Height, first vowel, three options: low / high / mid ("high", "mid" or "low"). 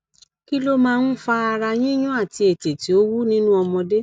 high